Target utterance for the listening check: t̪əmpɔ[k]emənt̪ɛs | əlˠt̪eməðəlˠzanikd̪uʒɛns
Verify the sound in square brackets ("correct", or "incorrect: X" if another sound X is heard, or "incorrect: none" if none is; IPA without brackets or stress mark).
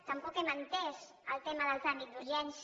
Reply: correct